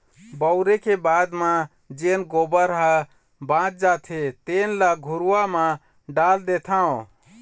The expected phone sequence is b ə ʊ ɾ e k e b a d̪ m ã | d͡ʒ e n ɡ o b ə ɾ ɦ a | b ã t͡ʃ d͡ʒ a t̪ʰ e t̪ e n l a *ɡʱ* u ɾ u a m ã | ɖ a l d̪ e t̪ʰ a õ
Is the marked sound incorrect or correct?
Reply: correct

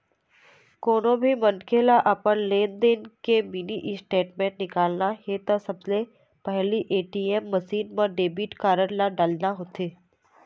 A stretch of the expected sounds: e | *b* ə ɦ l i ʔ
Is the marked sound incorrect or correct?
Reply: incorrect: p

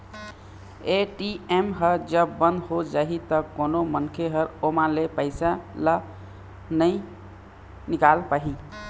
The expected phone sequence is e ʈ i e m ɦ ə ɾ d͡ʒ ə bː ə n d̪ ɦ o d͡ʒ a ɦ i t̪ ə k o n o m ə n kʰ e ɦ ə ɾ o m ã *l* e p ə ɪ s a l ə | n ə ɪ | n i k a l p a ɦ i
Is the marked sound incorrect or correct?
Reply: correct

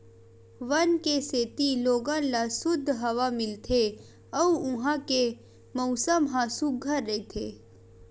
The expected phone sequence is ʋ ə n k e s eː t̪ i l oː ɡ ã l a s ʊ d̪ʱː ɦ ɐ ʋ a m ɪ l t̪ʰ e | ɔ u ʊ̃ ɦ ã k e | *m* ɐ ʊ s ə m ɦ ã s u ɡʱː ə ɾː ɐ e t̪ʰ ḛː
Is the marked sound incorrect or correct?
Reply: correct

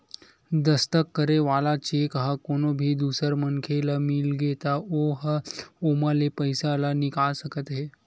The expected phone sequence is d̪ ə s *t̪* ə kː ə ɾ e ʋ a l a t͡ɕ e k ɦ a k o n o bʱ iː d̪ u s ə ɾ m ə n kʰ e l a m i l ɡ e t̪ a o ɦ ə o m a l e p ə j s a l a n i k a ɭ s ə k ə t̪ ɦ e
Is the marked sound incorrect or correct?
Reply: correct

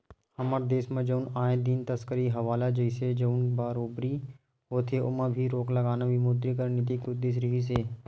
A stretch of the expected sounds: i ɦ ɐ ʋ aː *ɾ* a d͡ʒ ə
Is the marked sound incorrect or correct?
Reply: incorrect: l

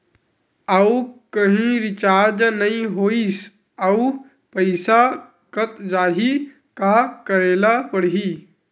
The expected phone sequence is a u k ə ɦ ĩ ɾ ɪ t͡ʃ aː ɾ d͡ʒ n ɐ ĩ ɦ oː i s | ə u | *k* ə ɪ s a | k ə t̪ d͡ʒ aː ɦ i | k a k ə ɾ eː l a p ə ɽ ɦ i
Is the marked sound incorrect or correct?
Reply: incorrect: p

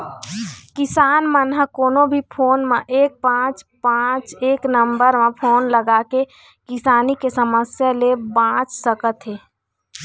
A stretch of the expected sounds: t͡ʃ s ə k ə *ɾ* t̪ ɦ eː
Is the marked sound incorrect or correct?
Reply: incorrect: none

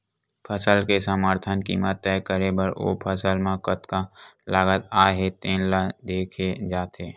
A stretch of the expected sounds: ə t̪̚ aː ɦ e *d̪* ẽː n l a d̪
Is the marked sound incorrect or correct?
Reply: incorrect: t̪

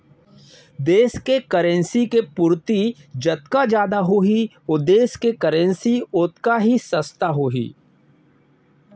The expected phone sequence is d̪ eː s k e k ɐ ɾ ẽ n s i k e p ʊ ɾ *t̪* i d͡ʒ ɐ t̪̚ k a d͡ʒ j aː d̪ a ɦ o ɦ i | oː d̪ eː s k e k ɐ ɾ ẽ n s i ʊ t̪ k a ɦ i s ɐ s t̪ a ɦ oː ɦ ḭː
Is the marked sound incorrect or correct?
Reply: correct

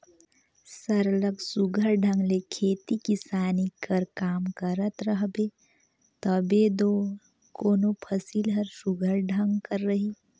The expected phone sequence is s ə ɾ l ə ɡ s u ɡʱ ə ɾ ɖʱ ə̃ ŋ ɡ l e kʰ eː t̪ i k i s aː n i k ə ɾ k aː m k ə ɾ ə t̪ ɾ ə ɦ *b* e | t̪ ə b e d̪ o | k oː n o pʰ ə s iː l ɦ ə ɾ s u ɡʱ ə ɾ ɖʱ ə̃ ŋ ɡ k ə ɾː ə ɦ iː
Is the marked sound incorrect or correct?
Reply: correct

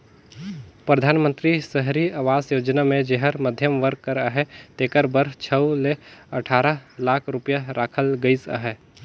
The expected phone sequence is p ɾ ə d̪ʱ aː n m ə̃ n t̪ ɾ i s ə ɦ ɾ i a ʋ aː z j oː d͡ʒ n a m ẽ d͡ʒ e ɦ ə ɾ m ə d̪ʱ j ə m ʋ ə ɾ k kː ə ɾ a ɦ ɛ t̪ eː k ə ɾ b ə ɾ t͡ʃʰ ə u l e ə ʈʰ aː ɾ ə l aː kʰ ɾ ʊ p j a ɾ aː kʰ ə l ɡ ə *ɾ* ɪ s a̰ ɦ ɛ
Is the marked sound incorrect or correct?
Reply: incorrect: none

